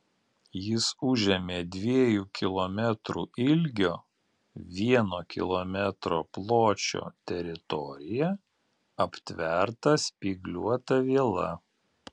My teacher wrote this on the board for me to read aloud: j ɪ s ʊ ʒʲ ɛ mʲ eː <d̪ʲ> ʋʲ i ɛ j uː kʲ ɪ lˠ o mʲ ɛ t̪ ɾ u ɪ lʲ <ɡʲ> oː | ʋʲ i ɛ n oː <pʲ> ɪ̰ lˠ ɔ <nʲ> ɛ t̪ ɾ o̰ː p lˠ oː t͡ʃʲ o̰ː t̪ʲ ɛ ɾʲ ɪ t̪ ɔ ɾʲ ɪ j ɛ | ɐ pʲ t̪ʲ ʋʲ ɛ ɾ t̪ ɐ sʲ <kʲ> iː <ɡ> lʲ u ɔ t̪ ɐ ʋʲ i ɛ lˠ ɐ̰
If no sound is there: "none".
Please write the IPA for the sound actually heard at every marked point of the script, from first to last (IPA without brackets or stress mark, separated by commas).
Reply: d̪ʲ, ɡʲ, kʲ, mʲ, pʲ, ɡ